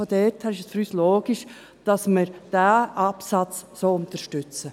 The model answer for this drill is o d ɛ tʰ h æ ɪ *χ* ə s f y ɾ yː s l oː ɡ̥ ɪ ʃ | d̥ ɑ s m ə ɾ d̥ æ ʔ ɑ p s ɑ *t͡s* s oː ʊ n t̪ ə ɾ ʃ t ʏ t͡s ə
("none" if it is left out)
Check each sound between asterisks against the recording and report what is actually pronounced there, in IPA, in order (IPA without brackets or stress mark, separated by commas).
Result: ʃ, t͡s